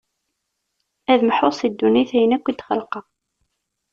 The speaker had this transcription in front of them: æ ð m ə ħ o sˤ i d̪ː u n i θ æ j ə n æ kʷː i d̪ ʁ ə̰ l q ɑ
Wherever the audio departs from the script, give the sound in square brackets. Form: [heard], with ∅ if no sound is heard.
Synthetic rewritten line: æ ð m ə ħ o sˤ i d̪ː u n i θ æ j ə n æ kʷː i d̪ [χ] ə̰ l q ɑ